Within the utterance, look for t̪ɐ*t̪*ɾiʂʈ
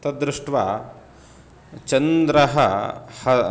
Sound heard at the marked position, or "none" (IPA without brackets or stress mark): d̪